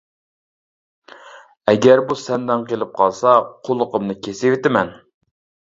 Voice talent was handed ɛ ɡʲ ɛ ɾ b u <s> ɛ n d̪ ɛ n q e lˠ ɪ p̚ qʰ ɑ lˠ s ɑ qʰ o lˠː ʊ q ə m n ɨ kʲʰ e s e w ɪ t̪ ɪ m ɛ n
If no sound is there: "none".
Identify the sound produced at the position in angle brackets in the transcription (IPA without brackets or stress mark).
s